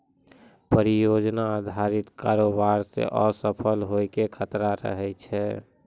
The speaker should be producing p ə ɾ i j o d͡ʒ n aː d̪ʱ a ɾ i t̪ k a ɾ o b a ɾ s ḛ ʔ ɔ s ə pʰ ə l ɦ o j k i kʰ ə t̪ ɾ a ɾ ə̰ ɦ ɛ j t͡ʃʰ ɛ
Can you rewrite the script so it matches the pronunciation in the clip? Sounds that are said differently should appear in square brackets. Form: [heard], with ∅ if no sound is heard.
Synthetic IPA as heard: p ə ɾ i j o d͡ʒ n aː d̪ʱ a ɾ i t̪ k a ɾ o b a ɾ s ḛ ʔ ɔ s ə pʰ ə l ɦ o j k [e] kʰ ə t̪ ɾ a ɾ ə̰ ɦ ɛ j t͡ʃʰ ɛ